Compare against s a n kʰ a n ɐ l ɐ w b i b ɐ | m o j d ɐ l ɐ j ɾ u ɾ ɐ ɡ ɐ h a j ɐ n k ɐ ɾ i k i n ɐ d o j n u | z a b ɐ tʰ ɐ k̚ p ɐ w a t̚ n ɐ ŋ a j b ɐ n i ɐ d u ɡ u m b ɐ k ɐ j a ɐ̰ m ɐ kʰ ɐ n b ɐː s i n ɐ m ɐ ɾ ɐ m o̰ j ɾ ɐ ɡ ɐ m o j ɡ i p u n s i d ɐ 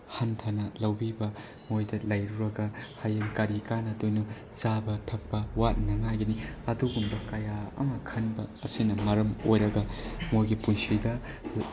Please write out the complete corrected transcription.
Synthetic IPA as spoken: h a n tʰ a n ɐ l ɐ w b i b ɐ | m o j d ɐ l ɐ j ɾ u ɾ ɐ ɡ ɐ h a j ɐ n k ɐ ɾ i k a n ɐ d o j n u | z a b ɐ tʰ ɐ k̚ p ɐ w a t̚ n ɐ ŋ a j ɡ ɐ n i ɐ d u ɡ u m b ɐ k ɐ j a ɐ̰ m ɐ kʰ ɐ n b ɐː s i n ɐ m ɐ ɾ ɐ m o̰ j ɾ ɐ ɡ ɐ m o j ɡ i p u n s i d ɐ